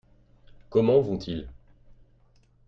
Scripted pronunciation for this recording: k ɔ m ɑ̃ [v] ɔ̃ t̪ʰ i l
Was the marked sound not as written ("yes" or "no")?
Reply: no